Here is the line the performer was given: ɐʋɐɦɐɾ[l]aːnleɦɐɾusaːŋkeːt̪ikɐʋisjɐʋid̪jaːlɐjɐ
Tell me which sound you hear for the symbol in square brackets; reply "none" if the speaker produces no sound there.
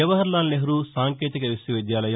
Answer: l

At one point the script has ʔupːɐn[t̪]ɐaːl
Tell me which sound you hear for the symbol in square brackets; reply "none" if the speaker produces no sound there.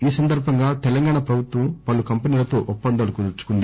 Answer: d̪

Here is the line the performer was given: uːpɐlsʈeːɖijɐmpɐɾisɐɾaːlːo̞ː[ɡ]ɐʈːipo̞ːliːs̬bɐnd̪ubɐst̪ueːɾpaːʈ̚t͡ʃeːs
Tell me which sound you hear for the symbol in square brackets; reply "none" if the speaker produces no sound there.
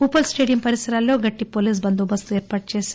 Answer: ɡ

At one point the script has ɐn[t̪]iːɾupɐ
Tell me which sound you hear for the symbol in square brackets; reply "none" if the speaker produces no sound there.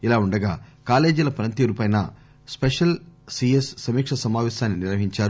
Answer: t̪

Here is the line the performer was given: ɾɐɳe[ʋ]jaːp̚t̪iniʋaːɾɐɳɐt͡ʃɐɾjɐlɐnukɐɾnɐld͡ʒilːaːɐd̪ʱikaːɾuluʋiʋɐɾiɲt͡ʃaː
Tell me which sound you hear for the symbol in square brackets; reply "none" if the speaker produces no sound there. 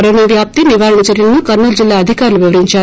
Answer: ʋ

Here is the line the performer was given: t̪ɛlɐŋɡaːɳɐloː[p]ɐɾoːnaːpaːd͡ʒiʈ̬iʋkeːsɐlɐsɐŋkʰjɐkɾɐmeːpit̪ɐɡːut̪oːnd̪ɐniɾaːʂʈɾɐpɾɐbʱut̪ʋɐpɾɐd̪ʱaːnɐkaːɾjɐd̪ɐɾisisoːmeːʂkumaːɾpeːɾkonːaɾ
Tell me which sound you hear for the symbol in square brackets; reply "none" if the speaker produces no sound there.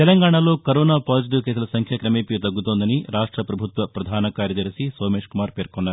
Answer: k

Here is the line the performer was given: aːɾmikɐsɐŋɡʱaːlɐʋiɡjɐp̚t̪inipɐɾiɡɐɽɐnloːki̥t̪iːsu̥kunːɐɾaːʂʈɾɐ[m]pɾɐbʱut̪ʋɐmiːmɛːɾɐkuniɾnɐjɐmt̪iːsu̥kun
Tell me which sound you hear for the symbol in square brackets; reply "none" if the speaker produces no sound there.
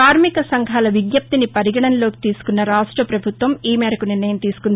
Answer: none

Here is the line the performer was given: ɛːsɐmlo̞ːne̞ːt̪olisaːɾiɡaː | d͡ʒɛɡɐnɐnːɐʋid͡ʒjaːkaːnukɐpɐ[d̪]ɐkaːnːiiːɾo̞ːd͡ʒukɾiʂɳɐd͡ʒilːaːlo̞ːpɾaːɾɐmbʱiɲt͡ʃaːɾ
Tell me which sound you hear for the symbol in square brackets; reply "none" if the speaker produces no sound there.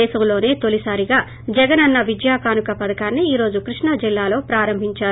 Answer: d̪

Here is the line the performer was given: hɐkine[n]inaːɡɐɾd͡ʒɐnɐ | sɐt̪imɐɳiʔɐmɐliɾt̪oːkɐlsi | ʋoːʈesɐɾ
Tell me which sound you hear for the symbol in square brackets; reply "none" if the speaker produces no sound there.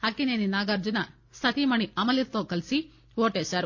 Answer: n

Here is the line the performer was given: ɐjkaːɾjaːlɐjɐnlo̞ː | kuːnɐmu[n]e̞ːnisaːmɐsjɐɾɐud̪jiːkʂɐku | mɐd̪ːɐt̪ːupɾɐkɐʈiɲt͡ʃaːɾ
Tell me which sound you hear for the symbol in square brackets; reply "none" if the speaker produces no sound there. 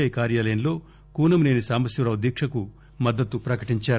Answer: n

